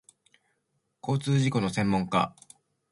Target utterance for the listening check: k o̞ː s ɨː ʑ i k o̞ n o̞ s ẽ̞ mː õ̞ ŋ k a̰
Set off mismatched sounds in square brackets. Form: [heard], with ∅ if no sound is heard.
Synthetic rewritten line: k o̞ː [t͡s] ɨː ʑ i k o̞ n o̞ s ẽ̞ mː õ̞ ŋ k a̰